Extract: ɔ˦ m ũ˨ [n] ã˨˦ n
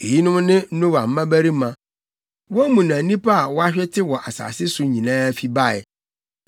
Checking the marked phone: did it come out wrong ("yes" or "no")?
no